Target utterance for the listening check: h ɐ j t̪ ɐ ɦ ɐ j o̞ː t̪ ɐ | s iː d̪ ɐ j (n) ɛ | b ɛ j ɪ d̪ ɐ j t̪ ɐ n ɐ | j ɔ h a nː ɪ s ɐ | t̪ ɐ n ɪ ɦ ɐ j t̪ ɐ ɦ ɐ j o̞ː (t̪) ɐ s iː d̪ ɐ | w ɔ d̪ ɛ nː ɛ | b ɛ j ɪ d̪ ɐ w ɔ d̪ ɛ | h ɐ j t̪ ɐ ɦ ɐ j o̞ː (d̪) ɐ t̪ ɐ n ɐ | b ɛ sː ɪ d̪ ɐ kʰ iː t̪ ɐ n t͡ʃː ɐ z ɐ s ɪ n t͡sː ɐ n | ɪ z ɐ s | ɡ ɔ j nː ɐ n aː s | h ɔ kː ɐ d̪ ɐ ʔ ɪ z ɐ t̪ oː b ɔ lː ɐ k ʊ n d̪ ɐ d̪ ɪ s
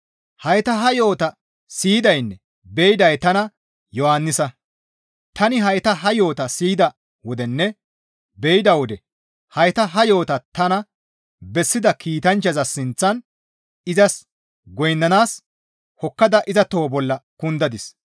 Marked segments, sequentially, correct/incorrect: incorrect: nː, correct, incorrect: t̪

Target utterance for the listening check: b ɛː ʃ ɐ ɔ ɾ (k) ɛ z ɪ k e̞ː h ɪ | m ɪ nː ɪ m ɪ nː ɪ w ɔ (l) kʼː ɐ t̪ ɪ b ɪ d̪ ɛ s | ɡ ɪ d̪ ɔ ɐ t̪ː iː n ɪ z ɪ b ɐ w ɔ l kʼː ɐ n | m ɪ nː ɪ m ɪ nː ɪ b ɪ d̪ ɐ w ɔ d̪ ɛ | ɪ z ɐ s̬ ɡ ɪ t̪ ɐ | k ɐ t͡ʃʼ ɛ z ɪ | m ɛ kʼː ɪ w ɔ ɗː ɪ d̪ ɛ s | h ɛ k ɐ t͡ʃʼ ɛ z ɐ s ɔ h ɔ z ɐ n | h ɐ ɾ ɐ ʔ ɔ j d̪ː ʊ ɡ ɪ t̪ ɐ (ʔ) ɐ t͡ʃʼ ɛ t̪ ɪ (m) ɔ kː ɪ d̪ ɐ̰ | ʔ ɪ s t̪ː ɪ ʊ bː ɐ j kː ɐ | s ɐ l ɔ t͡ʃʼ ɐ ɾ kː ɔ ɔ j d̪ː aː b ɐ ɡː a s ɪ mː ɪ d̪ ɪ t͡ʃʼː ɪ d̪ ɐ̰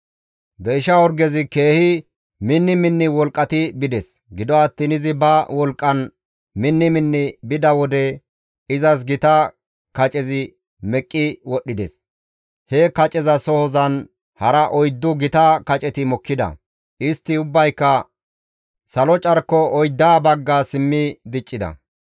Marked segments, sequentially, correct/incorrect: incorrect: ɡ, correct, incorrect: k, correct

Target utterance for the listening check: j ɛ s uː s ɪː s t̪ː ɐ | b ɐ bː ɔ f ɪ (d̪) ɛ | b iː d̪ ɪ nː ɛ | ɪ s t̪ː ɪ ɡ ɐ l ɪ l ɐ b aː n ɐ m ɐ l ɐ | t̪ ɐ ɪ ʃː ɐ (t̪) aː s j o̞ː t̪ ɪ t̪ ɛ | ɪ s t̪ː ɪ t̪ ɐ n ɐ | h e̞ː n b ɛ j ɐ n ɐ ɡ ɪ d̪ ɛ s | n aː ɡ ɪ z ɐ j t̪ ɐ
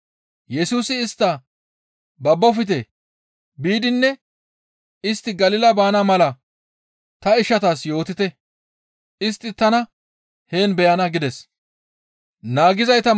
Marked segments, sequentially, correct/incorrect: incorrect: t̪, correct

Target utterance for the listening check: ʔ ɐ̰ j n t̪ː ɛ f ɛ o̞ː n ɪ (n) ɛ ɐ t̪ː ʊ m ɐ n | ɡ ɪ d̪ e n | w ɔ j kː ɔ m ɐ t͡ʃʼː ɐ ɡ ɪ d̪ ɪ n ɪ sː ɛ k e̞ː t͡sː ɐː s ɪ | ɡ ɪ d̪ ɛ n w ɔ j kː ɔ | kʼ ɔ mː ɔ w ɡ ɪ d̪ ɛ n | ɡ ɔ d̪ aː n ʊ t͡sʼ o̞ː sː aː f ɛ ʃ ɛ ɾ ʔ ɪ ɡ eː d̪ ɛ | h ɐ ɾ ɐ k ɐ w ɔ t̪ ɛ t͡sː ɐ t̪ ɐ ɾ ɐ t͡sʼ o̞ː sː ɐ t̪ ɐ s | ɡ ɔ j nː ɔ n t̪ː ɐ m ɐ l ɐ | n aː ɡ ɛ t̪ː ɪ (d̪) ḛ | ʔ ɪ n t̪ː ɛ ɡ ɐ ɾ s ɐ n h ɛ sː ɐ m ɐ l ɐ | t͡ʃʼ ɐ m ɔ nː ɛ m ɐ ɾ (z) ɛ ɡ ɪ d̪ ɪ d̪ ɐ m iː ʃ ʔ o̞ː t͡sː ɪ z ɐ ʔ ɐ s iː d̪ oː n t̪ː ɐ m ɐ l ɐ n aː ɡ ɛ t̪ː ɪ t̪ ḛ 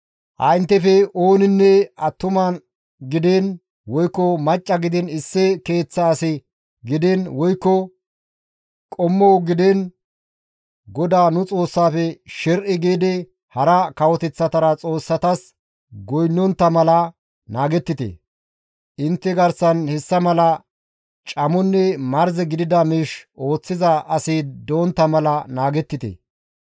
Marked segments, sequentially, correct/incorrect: incorrect: nː, incorrect: t̪, correct

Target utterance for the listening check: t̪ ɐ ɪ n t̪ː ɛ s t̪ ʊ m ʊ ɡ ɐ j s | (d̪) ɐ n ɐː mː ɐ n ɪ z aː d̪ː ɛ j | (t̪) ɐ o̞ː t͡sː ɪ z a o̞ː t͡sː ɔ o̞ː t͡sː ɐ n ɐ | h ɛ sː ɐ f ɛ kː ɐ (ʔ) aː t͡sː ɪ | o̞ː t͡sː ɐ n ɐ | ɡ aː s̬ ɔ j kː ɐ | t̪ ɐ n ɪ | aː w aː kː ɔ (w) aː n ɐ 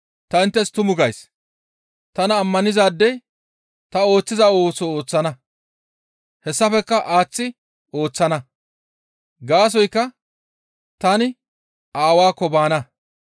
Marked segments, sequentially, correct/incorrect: incorrect: t̪, correct, correct, incorrect: b

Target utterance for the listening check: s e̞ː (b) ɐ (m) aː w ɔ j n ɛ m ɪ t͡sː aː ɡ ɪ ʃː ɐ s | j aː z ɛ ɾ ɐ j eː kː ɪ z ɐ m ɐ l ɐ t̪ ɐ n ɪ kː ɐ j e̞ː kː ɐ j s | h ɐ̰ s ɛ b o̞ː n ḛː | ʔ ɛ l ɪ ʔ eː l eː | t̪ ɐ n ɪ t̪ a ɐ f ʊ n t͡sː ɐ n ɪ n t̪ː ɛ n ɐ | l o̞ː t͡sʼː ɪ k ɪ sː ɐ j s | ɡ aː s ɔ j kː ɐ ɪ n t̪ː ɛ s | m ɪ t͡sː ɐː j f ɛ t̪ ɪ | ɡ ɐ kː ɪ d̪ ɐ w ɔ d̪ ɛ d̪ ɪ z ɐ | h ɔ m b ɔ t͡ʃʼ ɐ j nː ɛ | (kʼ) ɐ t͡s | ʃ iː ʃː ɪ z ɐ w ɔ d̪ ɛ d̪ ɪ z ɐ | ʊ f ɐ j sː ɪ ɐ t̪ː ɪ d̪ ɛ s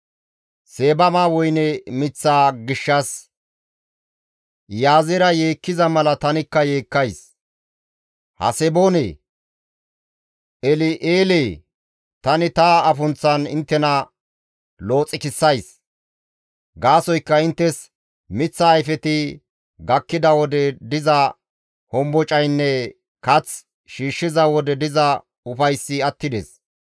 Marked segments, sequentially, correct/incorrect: correct, correct, incorrect: k

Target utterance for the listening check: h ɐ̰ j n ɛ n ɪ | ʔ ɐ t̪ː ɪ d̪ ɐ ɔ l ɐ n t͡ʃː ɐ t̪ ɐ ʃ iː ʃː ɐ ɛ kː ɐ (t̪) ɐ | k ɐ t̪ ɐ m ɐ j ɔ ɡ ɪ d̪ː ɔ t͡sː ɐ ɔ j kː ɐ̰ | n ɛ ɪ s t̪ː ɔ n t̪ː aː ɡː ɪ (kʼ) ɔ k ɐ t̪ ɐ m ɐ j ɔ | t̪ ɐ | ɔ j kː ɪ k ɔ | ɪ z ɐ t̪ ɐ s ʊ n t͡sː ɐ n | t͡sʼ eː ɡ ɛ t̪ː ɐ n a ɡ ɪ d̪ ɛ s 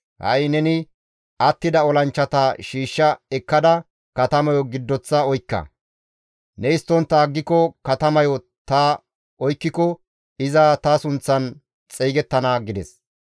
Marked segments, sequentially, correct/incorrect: incorrect: d̪, incorrect: k

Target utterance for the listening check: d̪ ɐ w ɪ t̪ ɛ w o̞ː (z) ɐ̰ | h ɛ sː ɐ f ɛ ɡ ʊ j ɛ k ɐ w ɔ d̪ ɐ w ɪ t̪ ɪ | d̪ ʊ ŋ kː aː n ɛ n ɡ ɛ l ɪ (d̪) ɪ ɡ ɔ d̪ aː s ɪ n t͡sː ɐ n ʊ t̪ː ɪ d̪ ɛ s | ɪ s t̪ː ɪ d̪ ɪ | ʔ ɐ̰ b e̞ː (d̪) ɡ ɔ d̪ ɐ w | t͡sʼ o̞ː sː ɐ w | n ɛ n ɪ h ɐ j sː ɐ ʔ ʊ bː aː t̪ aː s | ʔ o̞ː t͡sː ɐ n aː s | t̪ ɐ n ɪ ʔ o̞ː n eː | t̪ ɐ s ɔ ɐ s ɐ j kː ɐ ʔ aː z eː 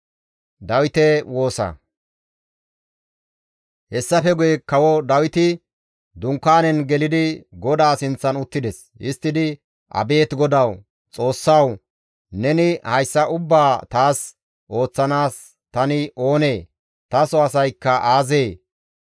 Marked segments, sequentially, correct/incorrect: incorrect: s, correct, incorrect: t̪

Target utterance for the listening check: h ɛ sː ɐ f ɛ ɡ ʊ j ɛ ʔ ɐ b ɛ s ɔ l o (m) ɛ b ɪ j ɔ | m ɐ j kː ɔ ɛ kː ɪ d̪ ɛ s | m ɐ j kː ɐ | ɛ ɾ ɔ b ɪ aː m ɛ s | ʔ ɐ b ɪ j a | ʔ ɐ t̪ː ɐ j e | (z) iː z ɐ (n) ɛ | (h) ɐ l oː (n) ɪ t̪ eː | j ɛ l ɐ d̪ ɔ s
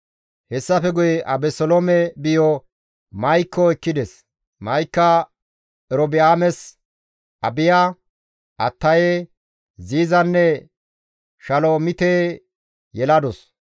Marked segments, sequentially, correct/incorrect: correct, correct, incorrect: nː, incorrect: ʃ, incorrect: m

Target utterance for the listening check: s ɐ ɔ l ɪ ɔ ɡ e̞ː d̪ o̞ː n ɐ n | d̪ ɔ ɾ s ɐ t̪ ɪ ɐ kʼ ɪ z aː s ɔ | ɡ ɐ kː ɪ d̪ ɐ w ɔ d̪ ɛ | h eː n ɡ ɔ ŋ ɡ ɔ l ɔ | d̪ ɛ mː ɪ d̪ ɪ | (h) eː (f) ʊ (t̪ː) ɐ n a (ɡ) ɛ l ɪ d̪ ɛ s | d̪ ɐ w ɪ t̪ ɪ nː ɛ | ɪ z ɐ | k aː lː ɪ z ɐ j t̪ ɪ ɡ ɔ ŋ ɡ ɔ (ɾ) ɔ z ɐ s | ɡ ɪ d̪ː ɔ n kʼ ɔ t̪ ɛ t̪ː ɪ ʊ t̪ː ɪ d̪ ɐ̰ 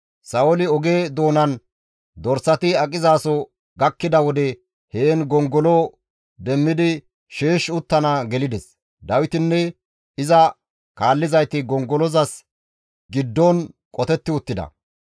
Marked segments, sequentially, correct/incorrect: incorrect: ʃ, incorrect: ʃ, correct, correct, incorrect: l

